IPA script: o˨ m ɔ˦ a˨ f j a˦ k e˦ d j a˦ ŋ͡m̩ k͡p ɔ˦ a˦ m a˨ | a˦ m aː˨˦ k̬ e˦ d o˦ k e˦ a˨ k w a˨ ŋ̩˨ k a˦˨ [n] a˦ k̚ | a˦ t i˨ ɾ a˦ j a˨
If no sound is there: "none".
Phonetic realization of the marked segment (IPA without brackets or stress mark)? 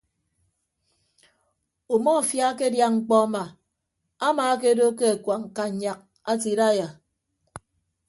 ɲ